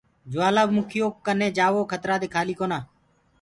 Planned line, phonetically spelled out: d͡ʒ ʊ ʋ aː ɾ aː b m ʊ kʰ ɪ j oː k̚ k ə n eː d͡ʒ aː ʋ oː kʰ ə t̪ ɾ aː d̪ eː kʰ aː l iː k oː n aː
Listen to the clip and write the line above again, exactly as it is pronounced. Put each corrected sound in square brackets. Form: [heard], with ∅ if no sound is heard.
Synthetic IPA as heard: d͡ʒ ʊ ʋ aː [l] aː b m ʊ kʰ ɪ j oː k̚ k ə n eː d͡ʒ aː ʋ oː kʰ ə t̪ ɾ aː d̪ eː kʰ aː l iː k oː n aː